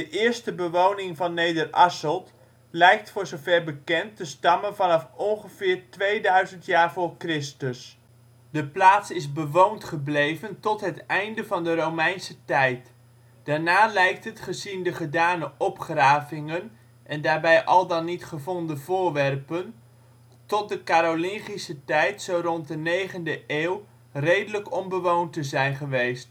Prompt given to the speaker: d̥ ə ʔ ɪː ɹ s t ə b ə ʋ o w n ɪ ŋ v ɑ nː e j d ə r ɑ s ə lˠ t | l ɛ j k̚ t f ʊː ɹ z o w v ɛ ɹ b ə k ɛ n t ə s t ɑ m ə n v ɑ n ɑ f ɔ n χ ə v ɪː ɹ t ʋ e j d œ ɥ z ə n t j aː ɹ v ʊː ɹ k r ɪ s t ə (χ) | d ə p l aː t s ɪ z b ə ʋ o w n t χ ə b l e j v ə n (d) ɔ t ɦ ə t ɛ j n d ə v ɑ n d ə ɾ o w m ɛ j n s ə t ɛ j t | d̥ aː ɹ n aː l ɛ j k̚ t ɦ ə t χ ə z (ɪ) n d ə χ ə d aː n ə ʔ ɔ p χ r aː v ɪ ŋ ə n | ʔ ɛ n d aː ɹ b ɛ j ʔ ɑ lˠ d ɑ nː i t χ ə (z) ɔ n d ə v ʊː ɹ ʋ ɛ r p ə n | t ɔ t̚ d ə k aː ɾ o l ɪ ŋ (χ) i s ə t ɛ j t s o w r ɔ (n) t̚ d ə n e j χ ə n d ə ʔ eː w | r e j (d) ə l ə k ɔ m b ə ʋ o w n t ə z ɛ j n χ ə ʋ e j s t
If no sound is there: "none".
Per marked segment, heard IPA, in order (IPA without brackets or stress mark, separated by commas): s, t, i, v, χ, n, d